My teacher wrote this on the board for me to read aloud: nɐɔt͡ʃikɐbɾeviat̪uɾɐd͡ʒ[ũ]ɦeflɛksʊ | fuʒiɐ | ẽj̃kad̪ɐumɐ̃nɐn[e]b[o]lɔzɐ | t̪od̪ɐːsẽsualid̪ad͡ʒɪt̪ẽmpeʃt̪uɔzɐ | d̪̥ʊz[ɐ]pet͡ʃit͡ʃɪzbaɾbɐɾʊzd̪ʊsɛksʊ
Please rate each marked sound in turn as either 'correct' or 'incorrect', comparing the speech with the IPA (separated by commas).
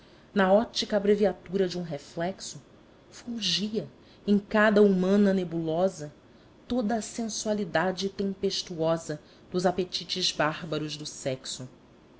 correct, correct, incorrect, incorrect